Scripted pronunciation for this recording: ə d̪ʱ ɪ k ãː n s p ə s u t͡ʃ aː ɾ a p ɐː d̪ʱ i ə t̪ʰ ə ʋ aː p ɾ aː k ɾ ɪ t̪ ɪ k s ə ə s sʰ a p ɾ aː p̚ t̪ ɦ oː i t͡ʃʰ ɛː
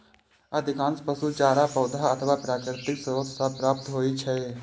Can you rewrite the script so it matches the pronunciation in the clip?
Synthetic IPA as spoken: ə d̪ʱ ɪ k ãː n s p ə s u t͡ʃ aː ɾ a p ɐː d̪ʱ a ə t̪ʰ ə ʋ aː p ɾ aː k ɾ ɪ t̪ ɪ k s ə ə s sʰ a p ɾ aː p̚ t̪ ɦ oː i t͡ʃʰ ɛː